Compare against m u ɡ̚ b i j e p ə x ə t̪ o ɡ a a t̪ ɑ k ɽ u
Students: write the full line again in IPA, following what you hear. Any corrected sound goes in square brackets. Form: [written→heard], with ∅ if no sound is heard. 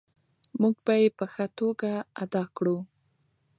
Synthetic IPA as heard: m u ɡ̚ b [i→a] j e p ə x ə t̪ o ɡ a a [t̪→d̪] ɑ k ɽ u

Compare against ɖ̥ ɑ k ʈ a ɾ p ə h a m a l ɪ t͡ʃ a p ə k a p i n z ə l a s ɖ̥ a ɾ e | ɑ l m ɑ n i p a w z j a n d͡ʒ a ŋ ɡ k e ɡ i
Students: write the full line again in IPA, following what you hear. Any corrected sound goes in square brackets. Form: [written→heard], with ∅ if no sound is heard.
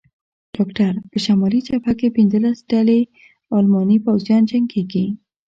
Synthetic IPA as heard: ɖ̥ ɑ k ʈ a ɾ p ə [h→ʃ] a m [a→ɑ] l [ɪ→i] t͡ʃ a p [ə→a] k [a→e] p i n z ə l a s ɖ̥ a [ɾ→l] e | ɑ l m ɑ n i p a w z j [a→ɑ] n d͡ʒ a ŋ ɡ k e ɡ i

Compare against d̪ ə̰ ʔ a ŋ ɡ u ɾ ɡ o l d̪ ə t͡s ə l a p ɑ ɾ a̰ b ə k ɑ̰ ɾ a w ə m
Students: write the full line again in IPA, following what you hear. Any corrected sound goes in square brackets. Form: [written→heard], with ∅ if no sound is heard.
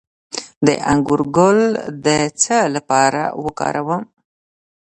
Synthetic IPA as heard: d̪ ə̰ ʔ a ŋ ɡ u ɾ ɡ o l d̪ ə t͡s ə l a p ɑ ɾ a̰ [b→w] ə k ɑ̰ ɾ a w ə m

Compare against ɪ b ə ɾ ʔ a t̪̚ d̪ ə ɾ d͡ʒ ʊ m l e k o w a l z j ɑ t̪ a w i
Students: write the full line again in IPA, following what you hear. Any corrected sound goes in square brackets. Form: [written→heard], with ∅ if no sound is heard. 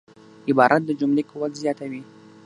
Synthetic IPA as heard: ɪ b [ə→ɑ] ɾ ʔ a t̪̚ d̪ ə [ɾ→∅] d͡ʒ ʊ m l e k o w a l z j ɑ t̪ a w i

